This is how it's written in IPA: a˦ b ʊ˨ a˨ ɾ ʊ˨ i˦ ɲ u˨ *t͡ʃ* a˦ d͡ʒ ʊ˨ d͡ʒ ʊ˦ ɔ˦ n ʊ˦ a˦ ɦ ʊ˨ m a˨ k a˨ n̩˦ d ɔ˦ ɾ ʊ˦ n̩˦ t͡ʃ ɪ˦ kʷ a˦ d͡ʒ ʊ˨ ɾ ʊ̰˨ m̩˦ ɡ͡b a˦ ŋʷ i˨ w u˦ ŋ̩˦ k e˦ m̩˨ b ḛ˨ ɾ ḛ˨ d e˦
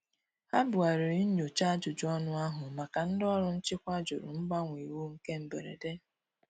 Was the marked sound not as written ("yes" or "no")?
no